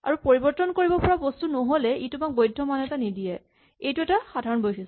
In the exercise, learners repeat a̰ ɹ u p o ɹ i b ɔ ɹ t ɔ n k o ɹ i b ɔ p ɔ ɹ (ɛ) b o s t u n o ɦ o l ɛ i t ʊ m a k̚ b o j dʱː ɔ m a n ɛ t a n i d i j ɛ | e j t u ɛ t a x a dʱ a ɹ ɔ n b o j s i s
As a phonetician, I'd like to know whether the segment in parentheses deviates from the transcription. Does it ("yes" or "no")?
yes